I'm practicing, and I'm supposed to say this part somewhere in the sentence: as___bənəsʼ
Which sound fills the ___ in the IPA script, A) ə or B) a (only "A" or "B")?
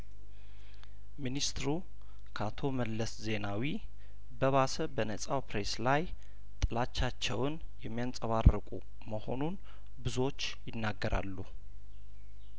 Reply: A